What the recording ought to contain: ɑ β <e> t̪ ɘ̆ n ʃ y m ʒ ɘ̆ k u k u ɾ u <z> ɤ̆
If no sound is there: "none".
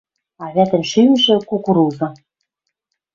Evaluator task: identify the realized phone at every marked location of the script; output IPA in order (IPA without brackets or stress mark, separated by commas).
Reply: æ, z